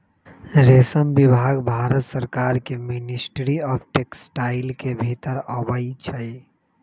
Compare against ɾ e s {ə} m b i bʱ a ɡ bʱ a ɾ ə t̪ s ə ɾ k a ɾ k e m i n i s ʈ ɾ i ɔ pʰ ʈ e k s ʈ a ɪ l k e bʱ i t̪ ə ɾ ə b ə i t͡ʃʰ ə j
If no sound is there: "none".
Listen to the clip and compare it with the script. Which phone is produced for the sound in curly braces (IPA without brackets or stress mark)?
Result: ə